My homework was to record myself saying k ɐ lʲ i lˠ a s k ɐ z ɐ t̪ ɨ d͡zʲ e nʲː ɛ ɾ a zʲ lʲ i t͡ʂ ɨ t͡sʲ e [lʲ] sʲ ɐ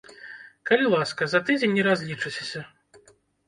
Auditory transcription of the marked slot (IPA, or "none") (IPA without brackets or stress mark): none